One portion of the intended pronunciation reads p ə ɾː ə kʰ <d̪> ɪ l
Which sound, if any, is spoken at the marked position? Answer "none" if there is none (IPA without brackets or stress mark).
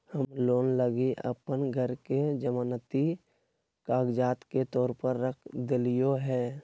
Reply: d̪